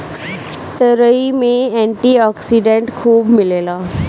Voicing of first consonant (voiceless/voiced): voiceless